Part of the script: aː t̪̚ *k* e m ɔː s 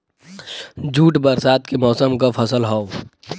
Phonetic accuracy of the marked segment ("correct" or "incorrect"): correct